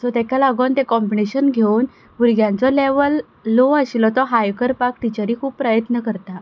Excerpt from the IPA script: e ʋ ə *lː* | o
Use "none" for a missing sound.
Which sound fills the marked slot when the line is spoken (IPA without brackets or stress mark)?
lː